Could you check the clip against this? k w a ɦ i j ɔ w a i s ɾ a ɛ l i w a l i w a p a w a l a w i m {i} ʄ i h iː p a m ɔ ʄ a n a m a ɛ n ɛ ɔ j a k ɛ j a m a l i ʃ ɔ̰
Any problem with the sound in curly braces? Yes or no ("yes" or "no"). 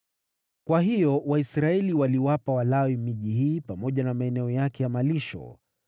no